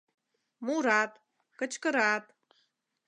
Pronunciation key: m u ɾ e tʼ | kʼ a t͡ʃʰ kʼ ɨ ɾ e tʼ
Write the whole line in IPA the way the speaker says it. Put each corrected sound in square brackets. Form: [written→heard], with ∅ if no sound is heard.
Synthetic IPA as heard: m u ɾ [e→a] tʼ | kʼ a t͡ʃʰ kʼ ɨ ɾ [e→a] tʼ